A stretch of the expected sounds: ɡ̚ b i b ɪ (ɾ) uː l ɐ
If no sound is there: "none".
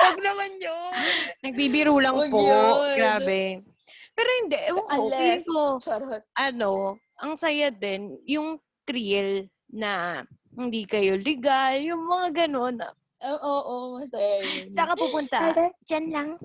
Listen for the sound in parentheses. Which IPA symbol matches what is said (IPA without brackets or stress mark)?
ɾ